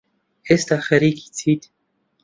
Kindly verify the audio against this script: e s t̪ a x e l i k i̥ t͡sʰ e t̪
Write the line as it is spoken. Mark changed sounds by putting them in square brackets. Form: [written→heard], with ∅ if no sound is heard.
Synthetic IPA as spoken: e s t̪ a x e [l→ɾ] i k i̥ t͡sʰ [e→i] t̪